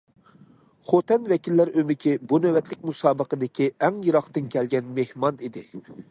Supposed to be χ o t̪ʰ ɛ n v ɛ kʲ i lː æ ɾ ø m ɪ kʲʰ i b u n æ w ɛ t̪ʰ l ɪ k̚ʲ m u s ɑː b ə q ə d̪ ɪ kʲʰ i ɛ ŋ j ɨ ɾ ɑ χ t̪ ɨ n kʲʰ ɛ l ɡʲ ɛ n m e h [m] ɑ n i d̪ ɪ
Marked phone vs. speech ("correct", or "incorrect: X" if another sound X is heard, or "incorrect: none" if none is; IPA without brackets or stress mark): correct